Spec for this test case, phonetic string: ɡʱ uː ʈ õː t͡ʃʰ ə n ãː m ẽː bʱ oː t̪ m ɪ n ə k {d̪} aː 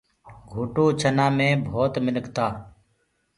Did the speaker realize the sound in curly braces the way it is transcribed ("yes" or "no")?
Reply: no